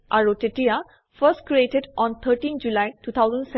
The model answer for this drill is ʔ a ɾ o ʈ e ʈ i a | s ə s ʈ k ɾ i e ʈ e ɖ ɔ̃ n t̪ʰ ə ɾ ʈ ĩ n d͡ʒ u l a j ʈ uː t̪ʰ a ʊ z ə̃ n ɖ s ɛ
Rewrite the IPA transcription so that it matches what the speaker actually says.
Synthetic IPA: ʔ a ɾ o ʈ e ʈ i a | f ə s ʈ k ɾ i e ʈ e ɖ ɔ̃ n t̪ʰ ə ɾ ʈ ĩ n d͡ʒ u l a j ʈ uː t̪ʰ a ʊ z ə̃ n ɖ s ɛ